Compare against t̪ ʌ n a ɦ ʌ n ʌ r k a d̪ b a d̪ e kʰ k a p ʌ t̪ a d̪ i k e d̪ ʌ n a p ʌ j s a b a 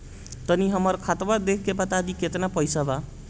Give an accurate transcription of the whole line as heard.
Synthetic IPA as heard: t̪ ʌ n i ɦ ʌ m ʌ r kʰ a t̪ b a d̪ e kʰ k e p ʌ t̪ a d̪ i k e t̪ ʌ n a p ʌ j s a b a